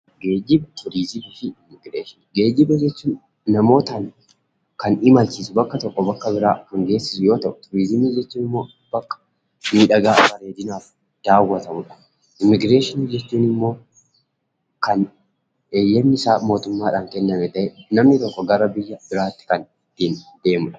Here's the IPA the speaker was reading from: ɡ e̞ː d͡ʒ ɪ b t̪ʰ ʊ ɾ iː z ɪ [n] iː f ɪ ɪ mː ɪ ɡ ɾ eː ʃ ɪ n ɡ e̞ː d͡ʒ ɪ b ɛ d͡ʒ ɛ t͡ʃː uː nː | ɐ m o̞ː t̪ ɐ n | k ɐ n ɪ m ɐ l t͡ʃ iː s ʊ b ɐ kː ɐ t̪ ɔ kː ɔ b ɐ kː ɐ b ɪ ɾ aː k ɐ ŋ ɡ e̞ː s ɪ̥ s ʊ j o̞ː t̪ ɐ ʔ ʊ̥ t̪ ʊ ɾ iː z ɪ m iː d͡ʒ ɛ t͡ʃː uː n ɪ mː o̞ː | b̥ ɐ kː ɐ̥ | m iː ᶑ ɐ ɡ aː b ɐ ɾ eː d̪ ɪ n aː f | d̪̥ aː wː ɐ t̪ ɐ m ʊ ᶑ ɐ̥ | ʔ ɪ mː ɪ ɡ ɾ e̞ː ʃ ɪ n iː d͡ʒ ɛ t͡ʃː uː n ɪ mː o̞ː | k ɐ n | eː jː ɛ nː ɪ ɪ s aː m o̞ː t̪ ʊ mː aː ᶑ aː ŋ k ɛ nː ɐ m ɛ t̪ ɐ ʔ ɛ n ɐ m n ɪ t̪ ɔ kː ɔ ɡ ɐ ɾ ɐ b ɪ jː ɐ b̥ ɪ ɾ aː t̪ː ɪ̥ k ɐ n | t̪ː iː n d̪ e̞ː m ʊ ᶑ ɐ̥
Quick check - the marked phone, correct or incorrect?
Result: incorrect: m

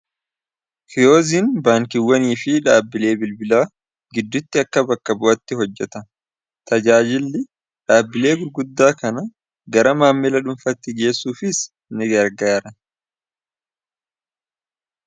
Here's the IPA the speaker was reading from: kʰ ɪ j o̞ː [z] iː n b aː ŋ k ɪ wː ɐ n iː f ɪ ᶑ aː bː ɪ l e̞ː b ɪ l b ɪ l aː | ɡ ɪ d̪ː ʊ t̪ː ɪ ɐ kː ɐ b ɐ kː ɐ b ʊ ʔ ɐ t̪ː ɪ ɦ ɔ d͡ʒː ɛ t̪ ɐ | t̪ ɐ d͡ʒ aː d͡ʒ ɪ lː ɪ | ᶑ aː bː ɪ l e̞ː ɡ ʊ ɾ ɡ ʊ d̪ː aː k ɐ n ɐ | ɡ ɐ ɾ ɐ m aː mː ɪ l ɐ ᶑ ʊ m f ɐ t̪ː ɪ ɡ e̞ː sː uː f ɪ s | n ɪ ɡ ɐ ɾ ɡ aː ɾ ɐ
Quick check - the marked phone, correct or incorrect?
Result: correct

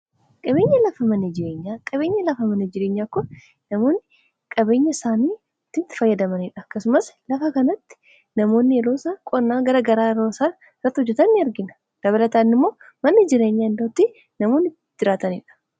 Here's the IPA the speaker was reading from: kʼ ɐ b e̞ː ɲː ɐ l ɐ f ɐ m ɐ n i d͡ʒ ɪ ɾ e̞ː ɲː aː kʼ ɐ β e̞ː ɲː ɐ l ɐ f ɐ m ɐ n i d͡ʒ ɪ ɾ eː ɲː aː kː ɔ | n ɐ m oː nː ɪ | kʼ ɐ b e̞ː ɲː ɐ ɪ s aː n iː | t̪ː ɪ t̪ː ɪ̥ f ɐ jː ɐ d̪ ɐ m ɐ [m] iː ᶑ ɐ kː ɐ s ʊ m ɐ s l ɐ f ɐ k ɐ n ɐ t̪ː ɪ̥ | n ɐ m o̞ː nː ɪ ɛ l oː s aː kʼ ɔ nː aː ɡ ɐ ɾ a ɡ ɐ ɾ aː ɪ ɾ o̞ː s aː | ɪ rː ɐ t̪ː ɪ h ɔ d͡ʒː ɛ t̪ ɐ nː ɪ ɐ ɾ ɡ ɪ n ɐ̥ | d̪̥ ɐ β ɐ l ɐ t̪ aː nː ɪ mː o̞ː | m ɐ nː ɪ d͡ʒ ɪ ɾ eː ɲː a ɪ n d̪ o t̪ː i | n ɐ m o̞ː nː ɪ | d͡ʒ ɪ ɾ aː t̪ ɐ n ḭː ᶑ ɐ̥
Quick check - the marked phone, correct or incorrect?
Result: incorrect: n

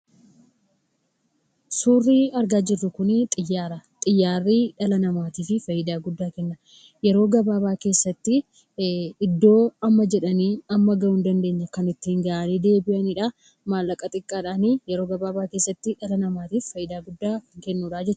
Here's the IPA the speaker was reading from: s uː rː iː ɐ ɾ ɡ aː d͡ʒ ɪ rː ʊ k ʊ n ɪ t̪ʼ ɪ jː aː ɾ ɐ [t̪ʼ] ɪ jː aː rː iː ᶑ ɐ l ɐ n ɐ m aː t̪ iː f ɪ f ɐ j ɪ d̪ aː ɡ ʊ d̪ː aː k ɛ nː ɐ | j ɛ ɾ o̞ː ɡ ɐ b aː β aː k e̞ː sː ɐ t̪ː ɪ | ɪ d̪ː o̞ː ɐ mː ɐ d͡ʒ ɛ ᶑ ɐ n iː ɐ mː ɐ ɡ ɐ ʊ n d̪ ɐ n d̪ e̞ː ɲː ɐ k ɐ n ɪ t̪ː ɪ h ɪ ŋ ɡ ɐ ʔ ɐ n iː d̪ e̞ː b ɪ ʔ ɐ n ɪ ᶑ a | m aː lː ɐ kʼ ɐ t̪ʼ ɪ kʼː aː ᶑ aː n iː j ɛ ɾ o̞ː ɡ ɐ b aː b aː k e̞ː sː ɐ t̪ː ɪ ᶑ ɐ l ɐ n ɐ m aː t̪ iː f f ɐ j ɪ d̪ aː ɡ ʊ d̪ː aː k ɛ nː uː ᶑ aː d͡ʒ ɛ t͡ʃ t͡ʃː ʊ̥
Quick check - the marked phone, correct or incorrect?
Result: correct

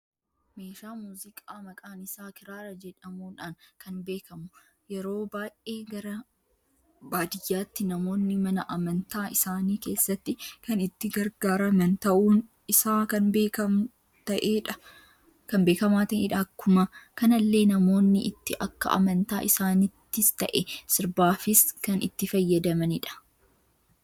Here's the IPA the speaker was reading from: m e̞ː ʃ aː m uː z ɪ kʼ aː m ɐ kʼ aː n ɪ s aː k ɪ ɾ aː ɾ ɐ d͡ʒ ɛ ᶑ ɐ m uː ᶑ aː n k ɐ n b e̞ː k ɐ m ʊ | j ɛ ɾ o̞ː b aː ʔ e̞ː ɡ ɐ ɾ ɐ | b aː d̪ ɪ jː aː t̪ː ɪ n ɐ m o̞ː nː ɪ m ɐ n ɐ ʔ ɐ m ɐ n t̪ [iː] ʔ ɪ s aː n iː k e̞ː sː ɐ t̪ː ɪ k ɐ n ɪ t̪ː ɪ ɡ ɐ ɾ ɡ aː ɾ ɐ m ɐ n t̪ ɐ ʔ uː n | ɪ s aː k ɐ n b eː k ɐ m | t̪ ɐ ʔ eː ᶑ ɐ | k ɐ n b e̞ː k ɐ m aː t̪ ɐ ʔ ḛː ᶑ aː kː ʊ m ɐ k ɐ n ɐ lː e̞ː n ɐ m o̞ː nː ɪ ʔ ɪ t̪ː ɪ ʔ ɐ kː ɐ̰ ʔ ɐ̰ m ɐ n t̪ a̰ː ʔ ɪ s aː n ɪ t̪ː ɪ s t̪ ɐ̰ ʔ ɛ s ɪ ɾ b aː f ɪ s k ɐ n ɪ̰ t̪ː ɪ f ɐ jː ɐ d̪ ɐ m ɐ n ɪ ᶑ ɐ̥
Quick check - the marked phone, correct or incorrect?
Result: incorrect: aː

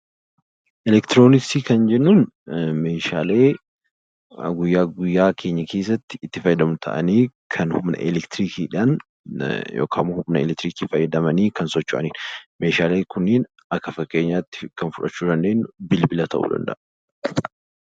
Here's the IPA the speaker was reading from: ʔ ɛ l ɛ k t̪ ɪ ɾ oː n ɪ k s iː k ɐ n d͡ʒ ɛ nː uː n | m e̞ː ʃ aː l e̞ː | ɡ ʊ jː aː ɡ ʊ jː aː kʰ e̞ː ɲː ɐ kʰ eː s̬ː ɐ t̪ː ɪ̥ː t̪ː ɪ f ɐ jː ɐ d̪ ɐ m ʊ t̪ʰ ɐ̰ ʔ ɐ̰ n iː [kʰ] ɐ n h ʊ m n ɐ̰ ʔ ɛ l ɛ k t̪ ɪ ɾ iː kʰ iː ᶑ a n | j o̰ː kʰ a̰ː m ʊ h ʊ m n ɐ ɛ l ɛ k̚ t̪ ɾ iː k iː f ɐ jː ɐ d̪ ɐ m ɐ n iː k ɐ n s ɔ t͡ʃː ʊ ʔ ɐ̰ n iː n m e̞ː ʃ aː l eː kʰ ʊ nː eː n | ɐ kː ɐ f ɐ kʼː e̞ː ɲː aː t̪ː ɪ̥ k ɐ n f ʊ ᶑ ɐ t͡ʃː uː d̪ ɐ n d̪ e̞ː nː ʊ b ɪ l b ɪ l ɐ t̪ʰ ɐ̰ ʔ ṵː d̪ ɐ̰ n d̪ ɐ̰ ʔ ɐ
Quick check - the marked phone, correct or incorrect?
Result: correct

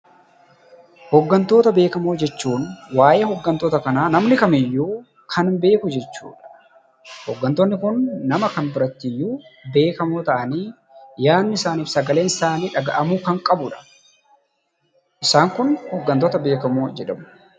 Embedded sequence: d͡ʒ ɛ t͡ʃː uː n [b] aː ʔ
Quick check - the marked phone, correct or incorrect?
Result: incorrect: w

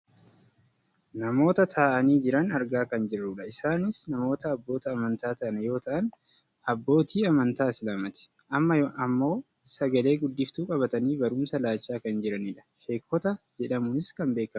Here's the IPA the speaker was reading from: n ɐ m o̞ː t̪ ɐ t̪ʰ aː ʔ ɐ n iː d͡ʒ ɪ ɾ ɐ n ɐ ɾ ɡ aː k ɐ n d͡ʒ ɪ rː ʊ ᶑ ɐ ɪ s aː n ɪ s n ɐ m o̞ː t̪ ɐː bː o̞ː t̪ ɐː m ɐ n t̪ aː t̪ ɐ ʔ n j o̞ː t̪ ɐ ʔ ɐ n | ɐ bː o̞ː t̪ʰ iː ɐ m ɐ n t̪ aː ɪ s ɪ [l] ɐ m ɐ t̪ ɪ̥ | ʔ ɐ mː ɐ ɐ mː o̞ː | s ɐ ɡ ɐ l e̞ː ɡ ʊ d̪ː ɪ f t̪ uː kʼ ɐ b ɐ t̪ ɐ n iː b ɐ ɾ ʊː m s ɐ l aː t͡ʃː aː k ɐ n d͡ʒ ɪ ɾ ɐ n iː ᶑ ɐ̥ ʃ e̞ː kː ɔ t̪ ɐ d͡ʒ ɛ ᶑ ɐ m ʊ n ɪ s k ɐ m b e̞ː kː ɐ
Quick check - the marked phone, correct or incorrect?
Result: correct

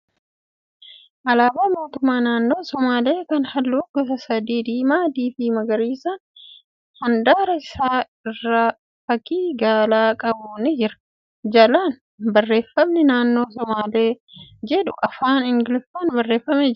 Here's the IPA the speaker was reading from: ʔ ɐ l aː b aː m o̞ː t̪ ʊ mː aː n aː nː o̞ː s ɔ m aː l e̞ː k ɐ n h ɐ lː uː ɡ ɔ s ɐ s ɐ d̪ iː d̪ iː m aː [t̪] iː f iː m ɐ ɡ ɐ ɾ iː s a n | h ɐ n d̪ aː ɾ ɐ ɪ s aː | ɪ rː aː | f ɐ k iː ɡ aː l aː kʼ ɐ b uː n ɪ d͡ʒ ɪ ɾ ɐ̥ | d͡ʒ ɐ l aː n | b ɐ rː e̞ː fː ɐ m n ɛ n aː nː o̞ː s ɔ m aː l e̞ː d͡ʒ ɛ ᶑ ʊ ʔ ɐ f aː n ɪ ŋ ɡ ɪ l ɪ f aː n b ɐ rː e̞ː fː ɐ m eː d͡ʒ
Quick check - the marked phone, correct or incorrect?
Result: incorrect: d̪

